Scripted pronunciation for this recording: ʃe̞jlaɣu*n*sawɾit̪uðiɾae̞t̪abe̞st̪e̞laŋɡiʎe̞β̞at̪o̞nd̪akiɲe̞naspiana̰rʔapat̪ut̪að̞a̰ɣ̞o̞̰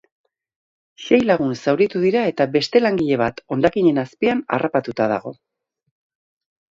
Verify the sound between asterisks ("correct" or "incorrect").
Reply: correct